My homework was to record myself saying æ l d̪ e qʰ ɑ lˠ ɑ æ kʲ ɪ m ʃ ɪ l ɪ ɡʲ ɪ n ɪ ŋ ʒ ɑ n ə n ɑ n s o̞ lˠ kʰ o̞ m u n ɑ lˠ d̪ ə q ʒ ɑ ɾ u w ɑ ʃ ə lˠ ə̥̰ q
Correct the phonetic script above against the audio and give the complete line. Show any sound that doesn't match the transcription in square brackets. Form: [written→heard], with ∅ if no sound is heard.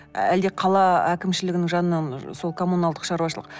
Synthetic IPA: æ l d̪ e qʰ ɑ lˠ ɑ æ kʲ ɪ m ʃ ɪ l ɪ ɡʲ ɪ n ɪ ŋ ʒ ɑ n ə n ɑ n s o̞ lˠ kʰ o̞ m u n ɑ lˠ d̪ ə q [ʒ→ʃ] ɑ ɾ u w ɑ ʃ ə lˠ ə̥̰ q

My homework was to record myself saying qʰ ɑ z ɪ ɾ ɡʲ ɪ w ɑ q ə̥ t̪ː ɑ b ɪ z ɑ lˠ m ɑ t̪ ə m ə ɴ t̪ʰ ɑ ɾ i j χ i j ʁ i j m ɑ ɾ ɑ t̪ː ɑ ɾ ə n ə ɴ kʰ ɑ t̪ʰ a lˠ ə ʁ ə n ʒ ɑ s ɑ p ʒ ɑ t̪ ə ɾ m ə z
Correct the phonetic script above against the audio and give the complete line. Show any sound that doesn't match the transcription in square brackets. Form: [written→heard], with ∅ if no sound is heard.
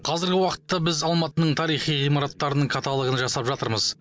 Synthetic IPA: qʰ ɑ z ɪ ɾ ɡʲ ɪ w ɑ q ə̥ t̪ː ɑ b ɪ z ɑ lˠ m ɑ t̪ ə [m→n] ə ɴ t̪ʰ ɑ ɾ i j χ i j ʁ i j m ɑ ɾ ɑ t̪ː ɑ ɾ ə n ə ɴ kʰ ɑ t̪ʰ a lˠ ə ʁ ə n ʒ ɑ s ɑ p ʒ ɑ t̪ ə ɾ m ə z

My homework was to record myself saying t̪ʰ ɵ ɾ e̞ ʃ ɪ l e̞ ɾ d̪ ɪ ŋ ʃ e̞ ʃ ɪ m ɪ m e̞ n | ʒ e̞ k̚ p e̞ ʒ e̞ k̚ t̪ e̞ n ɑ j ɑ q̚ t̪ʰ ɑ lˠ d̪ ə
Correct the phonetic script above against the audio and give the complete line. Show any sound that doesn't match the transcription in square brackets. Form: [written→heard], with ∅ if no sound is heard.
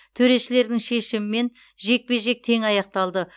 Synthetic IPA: t̪ʰ ɵ ɾ e̞ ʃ ɪ l e̞ ɾ d̪ ɪ ŋ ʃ e̞ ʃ ɪ m ɪ m e̞ n | ʒ e̞ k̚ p e̞ ʒ e̞ k̚ [t̪→t̪ʰ] e̞ [n→ŋ] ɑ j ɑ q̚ [t̪ʰ→t̪] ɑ lˠ d̪ ə

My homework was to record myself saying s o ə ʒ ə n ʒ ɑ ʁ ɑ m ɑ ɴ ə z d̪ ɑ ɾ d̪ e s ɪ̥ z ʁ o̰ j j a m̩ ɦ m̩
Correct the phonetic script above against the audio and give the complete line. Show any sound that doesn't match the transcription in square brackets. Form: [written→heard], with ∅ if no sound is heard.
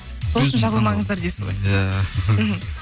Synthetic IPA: s o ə [ʒ→ʃ] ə n ʒ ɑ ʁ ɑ m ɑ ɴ ə z d̪ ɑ ɾ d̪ e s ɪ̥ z ʁ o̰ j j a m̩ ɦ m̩

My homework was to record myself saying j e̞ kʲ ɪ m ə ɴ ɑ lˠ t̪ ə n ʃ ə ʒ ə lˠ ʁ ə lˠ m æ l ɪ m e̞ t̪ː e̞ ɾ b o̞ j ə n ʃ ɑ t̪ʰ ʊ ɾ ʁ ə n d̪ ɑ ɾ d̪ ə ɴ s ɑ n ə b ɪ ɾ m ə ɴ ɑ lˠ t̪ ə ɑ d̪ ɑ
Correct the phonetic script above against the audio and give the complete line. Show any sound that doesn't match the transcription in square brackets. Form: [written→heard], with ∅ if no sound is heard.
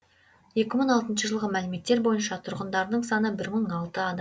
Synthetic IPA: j e̞ kʲ ɪ m ə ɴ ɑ lˠ t̪ ə n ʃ ə ʒ ə lˠ ʁ ə [lˠ→∅] m æ l ɪ m e̞ t̪ː e̞ ɾ b o̞ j ə n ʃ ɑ t̪ʰ ʊ ɾ ʁ ə n d̪ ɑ ɾ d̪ ə ɴ s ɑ n ə b ɪ ɾ m ə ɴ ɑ lˠ t̪ ə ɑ d̪ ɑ

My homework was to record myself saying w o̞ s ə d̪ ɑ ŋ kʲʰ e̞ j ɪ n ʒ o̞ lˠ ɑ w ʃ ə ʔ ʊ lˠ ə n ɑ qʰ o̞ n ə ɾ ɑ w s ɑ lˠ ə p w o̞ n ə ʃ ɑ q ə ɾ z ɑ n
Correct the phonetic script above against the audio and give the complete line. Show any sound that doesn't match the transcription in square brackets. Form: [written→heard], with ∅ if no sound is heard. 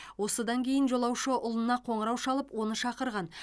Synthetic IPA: w o̞ s ə d̪ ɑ ŋ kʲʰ e̞ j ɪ n ʒ o̞ lˠ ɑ w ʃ ə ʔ ʊ lˠ ə n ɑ qʰ o̞ [n→ɴ] ə ɾ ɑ w [s→ʃ] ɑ lˠ ə p w o̞ n ə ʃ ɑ q ə ɾ [z→ʁ] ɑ n

